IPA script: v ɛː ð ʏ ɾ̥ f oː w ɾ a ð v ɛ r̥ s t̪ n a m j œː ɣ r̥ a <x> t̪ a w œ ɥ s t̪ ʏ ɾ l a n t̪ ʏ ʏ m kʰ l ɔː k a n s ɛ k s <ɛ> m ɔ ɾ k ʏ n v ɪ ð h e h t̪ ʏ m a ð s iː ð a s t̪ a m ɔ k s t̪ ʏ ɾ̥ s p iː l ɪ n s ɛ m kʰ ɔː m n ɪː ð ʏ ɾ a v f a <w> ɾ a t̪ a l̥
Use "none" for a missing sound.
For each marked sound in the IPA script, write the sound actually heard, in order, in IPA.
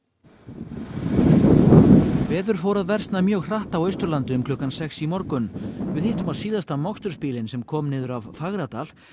h, i, ɣ

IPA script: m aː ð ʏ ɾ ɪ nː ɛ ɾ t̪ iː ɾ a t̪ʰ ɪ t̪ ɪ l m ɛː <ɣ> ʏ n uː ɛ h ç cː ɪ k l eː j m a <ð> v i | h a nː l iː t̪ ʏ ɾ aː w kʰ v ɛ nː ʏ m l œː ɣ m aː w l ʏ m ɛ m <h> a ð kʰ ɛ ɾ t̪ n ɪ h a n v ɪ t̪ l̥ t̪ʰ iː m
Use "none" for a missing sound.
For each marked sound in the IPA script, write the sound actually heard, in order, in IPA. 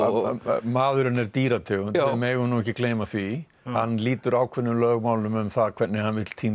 ɣ, θ, θ

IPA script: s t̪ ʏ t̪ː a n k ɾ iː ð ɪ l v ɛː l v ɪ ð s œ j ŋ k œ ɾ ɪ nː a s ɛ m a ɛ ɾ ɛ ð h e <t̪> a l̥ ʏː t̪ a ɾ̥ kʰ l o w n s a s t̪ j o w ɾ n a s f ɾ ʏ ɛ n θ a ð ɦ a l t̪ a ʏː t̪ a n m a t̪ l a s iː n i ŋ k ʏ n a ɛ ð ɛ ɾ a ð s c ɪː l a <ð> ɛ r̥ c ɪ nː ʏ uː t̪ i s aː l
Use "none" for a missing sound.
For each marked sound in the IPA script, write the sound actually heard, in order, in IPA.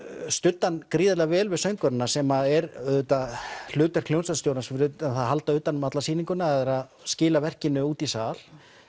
t̪, v

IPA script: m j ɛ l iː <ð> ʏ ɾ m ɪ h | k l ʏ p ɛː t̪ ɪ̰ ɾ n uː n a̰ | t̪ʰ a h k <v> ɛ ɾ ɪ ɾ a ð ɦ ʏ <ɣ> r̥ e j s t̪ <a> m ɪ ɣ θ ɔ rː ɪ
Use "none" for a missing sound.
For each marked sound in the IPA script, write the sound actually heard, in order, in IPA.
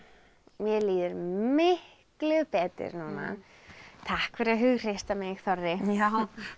ð, f, ɣ, a

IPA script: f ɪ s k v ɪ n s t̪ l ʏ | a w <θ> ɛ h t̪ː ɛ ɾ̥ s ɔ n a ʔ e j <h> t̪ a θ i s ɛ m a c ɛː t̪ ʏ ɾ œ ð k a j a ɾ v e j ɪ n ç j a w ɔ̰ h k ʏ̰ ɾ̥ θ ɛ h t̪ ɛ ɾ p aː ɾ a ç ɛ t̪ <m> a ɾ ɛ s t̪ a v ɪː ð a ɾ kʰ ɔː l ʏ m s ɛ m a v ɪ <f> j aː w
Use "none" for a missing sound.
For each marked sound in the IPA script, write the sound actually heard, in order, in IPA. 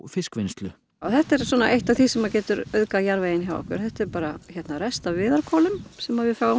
θ, h, n, f

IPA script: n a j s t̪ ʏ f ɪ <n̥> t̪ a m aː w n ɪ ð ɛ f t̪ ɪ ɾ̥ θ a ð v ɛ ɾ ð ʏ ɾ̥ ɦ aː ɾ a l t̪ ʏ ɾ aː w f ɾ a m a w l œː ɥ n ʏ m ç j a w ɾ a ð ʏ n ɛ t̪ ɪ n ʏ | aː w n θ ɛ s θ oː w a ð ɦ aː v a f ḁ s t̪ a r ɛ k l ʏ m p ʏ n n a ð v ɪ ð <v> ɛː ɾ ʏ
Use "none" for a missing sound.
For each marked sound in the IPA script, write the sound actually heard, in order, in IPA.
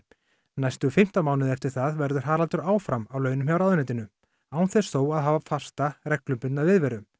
m̥, v

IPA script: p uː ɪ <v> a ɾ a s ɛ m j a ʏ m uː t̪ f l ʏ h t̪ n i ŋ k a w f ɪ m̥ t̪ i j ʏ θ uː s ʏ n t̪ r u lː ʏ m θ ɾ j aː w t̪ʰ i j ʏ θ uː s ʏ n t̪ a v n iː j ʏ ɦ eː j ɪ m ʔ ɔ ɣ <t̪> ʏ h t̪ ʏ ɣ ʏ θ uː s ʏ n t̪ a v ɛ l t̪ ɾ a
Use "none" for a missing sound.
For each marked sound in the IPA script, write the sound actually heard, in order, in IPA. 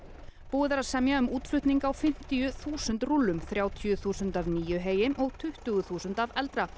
ð, t̪ʰ

